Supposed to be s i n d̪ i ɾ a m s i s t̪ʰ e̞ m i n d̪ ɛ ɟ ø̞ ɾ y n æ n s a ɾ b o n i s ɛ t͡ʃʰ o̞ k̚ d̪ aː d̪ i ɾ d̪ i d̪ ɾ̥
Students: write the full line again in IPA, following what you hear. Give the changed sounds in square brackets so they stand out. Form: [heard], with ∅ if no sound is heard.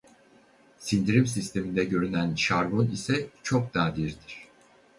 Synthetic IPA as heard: s i n d̪ i ɾ [i] m s i s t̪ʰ e̞ m i n d̪ ɛ ɟ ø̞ ɾ y n æ n [ʃ] a ɾ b o n i s ɛ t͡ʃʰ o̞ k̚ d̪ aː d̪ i ɾ d̪ i [∅] ɾ̥